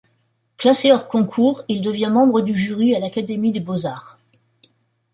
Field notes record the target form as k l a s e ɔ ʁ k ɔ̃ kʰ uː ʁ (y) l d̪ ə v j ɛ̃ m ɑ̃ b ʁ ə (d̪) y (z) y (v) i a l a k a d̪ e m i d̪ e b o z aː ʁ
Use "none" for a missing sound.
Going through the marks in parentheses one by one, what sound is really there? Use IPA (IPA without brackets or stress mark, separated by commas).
i, d̪, ʒ, ʁ